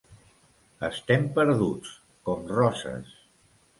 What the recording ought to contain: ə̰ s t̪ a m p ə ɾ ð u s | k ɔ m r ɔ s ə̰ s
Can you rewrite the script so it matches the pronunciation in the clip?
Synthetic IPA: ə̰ s t̪ ɛ m p ə ɾ ð u t͡s | k ɔ m r ɔ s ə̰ s